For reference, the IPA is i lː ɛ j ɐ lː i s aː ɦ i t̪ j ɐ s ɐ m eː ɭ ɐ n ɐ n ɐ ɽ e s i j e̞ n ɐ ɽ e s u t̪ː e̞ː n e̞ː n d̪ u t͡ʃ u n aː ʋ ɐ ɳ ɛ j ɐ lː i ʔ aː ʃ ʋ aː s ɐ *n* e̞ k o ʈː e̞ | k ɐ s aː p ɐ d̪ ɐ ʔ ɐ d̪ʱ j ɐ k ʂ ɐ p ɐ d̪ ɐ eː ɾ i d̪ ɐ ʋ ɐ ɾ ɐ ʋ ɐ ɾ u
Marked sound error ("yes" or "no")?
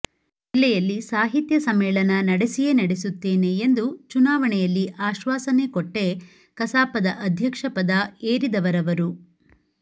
no